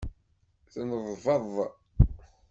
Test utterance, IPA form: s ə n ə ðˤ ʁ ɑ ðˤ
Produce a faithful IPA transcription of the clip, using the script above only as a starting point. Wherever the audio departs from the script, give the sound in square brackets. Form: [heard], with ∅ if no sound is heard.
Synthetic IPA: [θ] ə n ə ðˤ [v] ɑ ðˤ